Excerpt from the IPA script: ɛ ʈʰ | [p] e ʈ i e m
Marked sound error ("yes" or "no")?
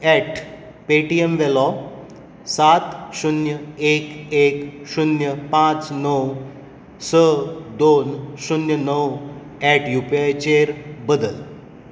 no